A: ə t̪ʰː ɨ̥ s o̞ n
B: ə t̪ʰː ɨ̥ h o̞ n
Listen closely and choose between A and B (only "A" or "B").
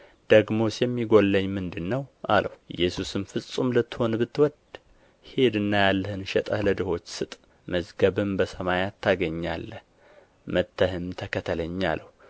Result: B